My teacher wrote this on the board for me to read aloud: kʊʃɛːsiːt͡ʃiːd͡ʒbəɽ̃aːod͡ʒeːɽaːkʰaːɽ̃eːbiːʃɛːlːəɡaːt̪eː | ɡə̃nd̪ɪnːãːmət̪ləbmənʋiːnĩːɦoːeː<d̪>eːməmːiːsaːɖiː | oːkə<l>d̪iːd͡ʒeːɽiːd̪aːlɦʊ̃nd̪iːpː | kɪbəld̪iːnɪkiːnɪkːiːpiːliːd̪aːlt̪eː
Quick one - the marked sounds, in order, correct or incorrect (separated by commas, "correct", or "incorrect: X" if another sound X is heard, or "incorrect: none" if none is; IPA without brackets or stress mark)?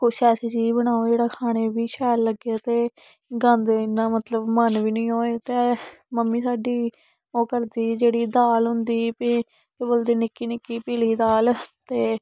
incorrect: t̪, incorrect: ɾ